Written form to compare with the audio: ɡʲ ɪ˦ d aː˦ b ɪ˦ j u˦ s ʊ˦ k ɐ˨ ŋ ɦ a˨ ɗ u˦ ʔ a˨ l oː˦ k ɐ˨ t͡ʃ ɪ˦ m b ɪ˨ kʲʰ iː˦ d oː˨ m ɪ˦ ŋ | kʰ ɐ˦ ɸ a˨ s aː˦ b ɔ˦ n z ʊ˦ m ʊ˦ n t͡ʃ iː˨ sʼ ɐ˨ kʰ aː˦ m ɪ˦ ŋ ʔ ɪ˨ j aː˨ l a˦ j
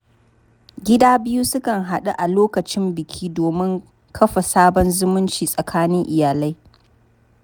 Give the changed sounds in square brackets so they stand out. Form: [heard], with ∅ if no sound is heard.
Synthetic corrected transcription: ɡʲ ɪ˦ d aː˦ b ɪ˦ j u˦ s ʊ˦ k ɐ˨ ŋ ɦ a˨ ɗ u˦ ʔ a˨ l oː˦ k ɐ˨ t͡ʃ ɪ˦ m b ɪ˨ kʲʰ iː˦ d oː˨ m ɪ˦ ŋ | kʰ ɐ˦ ɸ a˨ s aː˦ b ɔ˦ n z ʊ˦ m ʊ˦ n t͡ʃ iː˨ sʼ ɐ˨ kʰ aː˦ [n] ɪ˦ ŋ ʔ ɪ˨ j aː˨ l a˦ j

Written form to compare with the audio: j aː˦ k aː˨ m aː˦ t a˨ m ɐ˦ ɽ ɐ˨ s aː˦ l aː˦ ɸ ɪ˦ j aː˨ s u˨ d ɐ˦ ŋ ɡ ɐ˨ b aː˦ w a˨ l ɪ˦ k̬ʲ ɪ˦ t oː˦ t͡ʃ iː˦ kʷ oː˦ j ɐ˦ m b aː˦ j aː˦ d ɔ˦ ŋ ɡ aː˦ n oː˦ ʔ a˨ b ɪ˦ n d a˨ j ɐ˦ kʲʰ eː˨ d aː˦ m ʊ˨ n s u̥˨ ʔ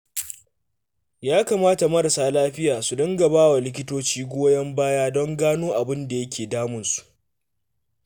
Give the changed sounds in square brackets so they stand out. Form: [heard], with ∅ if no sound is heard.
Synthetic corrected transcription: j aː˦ k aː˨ m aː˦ t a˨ m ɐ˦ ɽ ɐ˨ s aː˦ l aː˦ ɸ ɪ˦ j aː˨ s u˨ d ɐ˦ ŋ ɡ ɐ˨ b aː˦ w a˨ l ɪ˦ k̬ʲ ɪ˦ t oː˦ t͡ʃ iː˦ [ɡʷ] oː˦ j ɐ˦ m b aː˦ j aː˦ d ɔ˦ ŋ ɡ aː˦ n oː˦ ʔ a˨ b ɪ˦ n d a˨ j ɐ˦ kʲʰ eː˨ d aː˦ m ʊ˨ n s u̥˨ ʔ

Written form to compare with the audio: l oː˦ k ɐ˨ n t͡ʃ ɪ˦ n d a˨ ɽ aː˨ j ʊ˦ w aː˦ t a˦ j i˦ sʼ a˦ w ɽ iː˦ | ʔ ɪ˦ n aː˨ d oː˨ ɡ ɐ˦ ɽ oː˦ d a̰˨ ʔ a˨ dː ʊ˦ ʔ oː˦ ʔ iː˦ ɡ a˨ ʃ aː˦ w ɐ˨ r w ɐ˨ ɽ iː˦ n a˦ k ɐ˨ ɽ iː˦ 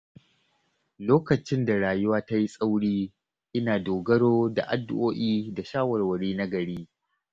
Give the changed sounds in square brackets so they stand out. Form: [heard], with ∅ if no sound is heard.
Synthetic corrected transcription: l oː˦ k ɐ˨ [∅] t͡ʃ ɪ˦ n d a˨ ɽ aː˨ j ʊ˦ w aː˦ t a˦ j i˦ sʼ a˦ w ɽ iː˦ | ʔ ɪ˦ n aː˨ d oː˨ ɡ ɐ˦ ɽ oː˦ d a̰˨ ʔ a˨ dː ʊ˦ ʔ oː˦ ʔ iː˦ [d] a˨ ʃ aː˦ w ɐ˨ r w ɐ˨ ɽ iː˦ n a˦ [ɡ] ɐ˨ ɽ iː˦

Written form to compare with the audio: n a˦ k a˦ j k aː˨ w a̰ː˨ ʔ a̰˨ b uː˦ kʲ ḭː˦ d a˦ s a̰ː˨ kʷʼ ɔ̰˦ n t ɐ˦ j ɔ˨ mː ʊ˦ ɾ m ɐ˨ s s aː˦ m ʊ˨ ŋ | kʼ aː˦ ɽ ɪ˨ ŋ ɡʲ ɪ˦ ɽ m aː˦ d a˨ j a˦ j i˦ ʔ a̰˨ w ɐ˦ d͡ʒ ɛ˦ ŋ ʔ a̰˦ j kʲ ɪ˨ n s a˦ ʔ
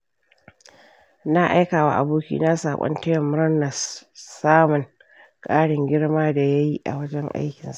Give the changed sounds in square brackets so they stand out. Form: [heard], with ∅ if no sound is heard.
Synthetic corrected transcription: n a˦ [ʔ] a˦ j k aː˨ w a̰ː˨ ʔ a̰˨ b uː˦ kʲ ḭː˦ [n] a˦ s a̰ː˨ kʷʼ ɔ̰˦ n t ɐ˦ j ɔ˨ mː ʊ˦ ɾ [n] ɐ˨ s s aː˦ m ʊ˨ ŋ | kʼ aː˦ ɽ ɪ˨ ŋ ɡʲ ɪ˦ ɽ m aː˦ d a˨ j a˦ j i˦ ʔ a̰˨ w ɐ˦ d͡ʒ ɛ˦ ŋ ʔ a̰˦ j kʲ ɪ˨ n s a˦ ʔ

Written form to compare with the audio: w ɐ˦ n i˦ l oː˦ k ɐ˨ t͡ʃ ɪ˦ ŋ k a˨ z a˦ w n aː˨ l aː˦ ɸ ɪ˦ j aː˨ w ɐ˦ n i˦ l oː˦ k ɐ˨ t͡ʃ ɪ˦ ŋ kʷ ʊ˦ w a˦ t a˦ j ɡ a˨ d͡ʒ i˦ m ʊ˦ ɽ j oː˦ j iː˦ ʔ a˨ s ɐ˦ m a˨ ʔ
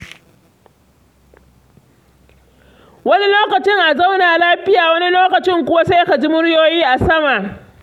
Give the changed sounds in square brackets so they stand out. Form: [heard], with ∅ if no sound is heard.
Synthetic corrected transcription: w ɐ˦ n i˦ l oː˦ k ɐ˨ t͡ʃ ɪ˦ ŋ [ʔ] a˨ z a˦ w n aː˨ l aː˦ ɸ ɪ˦ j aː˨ w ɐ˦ n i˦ l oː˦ k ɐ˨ t͡ʃ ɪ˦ ŋ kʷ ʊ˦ w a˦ [s] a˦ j [k] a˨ d͡ʒ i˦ m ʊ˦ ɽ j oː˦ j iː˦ ʔ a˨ s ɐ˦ m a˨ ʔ

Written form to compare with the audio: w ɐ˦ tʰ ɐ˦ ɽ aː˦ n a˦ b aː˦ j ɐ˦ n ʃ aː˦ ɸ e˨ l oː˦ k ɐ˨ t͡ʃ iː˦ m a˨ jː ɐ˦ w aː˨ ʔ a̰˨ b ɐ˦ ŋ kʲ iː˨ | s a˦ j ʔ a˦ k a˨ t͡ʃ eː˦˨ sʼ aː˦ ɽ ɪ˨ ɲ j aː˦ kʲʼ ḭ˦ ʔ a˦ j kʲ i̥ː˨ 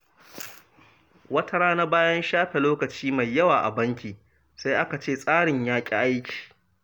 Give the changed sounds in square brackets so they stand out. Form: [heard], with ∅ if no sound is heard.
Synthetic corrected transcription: w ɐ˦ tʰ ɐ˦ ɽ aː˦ n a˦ b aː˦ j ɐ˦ n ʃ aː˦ ɸ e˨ l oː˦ k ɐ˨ t͡ʃ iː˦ m a˨ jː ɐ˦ w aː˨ ʔ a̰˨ b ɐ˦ ŋ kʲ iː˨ | s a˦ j ʔ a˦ k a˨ t͡ʃ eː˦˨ sʼ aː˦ ɽ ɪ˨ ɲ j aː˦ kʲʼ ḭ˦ ʔ a˦ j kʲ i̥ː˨

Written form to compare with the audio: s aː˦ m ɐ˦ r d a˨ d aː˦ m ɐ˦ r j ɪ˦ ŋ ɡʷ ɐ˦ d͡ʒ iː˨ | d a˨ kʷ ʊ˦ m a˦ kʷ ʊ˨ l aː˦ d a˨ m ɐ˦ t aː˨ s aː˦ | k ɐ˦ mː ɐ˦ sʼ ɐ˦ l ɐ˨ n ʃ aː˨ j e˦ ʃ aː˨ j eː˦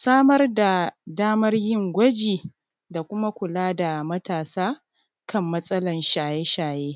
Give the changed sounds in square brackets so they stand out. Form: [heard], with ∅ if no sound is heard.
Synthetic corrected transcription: s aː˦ m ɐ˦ r d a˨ d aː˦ m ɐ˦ r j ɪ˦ ŋ ɡʷ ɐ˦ d͡ʒ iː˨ | d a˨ kʷ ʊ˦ m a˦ kʷ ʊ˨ l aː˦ d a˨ m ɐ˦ t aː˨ s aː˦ | k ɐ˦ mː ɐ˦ sʼ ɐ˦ l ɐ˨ n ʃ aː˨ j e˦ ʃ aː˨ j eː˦

